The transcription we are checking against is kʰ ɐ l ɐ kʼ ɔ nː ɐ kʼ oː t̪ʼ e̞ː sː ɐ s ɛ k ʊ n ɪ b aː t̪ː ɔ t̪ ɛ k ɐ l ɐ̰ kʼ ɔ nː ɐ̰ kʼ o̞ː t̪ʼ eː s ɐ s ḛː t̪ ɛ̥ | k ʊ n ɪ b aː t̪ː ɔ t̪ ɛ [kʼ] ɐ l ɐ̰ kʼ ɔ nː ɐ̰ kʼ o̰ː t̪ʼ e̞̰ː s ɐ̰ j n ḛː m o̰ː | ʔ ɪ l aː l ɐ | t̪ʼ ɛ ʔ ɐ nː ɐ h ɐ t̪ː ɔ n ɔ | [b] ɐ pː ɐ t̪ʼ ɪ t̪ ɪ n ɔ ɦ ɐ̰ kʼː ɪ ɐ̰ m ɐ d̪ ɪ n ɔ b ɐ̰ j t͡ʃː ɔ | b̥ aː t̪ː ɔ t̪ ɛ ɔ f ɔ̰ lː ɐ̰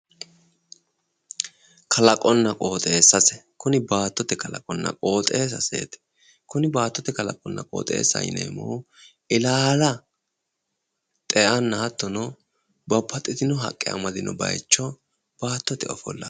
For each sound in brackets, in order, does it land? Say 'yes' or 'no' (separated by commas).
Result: no, yes